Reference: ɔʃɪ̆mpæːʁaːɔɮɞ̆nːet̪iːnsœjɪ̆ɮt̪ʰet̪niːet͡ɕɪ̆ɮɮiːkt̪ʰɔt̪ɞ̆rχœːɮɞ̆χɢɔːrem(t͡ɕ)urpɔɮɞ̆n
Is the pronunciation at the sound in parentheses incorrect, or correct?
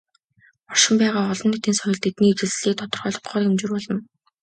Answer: correct